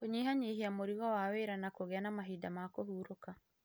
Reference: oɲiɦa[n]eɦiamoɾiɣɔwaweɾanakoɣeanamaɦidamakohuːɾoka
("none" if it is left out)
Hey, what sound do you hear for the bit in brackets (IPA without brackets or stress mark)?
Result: ɲ